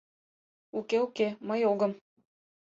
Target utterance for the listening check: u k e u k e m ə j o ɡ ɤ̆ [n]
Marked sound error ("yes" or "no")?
yes